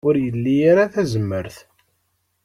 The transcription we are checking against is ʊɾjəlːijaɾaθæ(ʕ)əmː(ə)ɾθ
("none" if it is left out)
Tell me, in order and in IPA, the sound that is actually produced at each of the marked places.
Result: z, ə

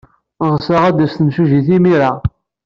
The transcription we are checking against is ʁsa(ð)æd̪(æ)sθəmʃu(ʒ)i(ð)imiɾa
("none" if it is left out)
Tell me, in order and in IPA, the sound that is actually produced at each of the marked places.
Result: ʁ, æ, ʒ, θ

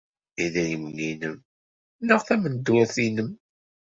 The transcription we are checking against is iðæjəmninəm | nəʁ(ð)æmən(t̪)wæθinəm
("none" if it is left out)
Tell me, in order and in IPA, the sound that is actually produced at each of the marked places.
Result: θ, d̪

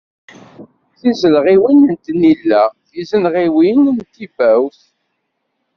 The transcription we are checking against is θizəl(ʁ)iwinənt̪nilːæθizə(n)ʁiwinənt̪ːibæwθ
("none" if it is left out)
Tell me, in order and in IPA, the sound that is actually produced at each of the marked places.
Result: ʁ, n

